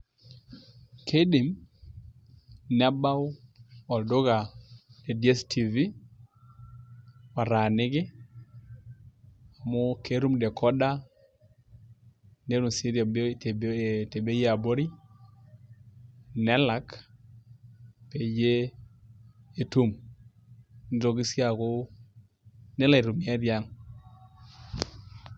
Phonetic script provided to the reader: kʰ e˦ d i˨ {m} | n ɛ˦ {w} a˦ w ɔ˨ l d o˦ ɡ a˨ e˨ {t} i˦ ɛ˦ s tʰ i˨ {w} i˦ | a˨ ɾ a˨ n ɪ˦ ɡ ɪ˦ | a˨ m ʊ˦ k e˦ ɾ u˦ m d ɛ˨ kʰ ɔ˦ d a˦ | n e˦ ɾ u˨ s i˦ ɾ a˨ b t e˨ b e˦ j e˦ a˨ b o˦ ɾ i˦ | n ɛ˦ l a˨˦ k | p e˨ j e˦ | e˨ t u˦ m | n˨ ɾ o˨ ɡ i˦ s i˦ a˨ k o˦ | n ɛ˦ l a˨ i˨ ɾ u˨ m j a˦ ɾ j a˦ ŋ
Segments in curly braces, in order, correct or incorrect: correct, incorrect: b, incorrect: d, incorrect: v

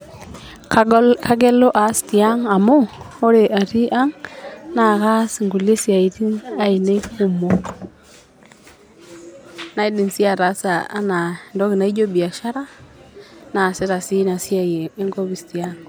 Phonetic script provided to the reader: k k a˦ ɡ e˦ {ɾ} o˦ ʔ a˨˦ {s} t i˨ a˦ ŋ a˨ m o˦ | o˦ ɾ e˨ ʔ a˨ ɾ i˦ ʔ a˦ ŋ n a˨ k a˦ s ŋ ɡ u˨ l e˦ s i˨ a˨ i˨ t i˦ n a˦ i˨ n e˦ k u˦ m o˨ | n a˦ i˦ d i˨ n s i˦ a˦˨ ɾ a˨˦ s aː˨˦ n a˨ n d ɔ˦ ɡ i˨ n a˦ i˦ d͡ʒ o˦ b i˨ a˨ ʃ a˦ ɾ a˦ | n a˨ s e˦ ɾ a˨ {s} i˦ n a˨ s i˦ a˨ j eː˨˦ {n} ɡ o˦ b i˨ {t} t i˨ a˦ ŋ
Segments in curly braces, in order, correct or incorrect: incorrect: l, correct, correct, incorrect: ŋ, incorrect: s

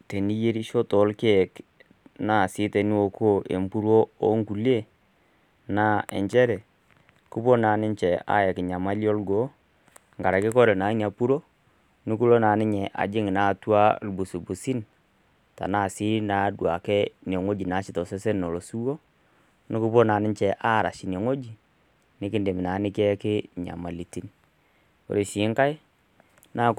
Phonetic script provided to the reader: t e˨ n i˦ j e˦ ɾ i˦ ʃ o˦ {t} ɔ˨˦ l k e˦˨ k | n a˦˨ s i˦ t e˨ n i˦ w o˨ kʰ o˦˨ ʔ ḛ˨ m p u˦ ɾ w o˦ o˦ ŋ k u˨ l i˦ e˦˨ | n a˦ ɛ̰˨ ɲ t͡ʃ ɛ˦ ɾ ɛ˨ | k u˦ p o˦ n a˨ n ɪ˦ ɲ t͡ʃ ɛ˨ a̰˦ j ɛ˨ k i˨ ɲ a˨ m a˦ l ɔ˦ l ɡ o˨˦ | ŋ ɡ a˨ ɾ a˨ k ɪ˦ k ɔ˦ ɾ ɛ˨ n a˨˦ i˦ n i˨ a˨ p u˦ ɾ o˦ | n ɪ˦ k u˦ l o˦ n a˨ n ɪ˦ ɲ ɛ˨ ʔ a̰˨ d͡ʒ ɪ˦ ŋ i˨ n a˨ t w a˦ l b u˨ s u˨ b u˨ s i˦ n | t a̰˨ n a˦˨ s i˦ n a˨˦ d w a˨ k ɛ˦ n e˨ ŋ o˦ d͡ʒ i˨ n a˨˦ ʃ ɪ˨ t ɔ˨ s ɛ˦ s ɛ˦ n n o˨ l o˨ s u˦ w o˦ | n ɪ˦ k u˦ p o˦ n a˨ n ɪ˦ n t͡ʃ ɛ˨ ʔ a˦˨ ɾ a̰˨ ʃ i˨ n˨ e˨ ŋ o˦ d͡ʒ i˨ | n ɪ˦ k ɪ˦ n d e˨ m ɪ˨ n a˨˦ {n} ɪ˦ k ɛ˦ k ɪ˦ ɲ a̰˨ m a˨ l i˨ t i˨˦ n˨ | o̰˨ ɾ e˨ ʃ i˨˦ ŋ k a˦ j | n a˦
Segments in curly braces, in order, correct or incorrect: correct, correct

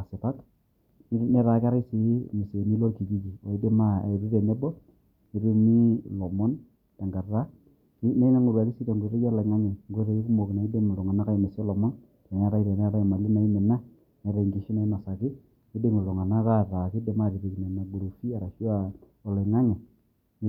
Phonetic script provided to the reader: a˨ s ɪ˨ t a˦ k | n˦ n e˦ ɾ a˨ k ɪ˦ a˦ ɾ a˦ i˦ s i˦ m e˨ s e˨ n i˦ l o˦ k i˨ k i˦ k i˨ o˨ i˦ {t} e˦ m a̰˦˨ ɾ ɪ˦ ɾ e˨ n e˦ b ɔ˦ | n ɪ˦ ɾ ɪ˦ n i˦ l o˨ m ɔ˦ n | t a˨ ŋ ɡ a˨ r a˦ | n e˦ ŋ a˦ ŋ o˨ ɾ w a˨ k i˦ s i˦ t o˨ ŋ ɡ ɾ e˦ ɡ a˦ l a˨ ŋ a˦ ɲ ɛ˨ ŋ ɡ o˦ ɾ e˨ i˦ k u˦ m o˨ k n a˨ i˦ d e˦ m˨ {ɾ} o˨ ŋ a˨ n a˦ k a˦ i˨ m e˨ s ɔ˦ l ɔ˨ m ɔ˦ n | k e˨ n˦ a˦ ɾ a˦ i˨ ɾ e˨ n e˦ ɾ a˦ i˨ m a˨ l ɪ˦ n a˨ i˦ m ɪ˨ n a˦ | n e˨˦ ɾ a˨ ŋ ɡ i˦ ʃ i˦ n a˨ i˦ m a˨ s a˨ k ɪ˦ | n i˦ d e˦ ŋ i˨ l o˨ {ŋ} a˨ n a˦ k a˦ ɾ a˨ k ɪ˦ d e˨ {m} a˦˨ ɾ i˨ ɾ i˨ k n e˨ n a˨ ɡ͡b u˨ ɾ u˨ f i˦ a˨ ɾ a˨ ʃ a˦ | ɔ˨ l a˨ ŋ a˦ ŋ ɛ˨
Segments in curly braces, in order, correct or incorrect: incorrect: d, incorrect: l, correct, correct

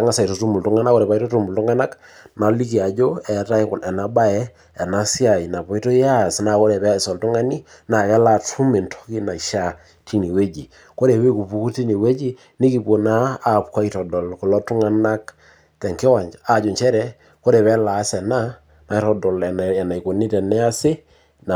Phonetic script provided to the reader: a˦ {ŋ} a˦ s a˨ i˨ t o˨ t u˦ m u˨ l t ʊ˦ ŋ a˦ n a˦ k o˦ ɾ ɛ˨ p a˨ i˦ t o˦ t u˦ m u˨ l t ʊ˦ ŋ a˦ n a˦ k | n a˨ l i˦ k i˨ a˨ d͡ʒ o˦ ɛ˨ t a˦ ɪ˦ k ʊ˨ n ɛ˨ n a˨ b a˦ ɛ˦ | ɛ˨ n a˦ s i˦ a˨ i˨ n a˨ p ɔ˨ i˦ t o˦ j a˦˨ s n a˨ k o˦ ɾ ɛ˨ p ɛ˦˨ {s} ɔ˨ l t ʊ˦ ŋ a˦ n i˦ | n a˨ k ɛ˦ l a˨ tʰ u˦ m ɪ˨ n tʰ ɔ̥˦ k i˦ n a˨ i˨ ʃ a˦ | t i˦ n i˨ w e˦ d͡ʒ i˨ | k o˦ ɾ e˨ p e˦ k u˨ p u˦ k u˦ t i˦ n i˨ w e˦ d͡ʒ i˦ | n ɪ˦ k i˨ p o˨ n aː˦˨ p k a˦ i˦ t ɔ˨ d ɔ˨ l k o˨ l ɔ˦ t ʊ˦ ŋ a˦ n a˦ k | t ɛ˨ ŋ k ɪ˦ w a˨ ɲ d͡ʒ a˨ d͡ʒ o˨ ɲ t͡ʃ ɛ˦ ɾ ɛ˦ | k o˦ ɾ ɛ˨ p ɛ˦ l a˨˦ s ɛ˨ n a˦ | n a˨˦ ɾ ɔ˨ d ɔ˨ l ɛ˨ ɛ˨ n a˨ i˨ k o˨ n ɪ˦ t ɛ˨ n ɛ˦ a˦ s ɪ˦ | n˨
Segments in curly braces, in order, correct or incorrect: correct, correct

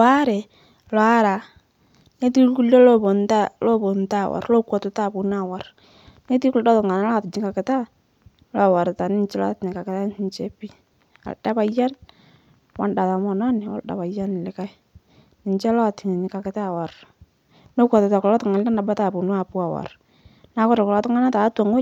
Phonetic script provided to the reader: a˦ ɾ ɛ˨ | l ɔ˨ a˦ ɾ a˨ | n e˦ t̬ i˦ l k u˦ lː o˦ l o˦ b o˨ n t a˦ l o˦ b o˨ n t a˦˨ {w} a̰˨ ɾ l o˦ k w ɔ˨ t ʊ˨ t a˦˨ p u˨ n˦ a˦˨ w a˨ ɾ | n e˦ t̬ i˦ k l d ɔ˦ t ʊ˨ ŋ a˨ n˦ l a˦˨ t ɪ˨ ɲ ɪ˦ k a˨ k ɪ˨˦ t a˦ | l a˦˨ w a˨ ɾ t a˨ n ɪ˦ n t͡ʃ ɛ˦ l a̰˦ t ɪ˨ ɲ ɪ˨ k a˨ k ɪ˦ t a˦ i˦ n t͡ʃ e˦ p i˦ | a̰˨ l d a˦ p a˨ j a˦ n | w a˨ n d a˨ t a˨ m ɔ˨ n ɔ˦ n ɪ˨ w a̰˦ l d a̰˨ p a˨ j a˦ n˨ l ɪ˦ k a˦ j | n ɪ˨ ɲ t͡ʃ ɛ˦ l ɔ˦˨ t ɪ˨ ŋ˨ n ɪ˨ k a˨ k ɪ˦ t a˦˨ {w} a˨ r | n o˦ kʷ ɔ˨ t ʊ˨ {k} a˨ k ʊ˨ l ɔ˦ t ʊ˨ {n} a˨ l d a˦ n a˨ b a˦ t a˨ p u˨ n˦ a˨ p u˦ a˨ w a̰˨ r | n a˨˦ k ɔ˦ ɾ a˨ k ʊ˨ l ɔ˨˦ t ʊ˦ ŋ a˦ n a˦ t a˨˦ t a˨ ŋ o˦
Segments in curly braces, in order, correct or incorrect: correct, correct, incorrect: t, incorrect: ŋ

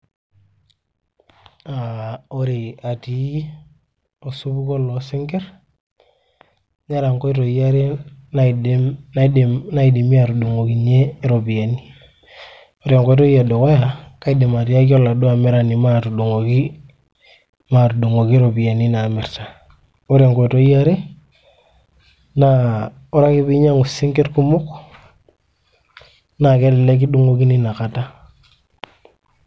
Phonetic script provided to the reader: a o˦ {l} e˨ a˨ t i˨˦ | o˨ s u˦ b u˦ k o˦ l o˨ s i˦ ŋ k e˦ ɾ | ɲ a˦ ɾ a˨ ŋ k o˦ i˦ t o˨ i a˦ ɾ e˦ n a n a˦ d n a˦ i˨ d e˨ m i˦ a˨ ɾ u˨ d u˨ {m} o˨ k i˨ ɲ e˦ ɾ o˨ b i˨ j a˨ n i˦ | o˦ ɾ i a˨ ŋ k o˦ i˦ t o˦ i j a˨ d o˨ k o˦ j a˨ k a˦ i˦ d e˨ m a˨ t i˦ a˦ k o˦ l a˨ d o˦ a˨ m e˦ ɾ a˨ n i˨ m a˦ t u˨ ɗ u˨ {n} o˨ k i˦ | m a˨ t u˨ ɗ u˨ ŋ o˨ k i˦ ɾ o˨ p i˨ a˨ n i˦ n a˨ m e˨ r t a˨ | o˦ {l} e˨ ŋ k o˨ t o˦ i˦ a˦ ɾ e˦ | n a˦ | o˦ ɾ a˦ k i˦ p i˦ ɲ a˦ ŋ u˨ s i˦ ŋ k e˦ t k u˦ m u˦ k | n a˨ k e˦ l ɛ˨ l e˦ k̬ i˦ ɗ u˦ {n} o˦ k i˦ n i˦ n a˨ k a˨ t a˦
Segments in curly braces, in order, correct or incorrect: incorrect: ɾ, incorrect: ŋ, incorrect: ŋ, incorrect: ɾ, incorrect: ŋ

